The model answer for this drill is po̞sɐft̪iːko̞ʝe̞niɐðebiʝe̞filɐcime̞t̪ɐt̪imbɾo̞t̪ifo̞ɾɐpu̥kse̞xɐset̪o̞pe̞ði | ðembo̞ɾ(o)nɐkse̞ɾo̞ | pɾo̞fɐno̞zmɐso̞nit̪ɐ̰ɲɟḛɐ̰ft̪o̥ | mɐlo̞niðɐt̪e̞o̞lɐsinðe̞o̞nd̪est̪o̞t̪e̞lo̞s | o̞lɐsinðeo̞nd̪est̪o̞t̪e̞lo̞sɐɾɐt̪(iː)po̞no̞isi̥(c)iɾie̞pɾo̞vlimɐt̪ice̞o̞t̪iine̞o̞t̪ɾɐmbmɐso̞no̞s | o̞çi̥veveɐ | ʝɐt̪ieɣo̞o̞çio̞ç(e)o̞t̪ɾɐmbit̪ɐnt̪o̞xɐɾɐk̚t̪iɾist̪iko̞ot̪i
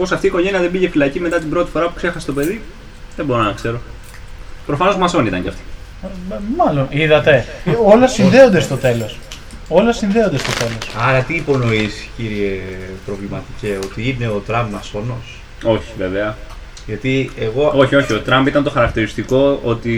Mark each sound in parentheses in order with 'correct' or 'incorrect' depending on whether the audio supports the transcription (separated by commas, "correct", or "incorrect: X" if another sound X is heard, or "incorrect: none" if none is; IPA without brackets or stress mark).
correct, correct, correct, incorrect: i